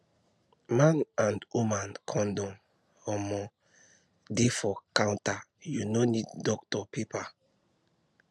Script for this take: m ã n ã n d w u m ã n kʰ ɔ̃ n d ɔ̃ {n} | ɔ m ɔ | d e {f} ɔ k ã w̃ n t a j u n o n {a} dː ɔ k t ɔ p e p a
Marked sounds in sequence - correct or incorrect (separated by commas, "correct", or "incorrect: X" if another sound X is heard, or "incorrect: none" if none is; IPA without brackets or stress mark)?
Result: incorrect: m, correct, incorrect: i